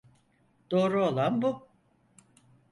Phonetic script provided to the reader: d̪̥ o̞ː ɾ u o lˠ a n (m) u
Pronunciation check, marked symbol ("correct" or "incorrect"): incorrect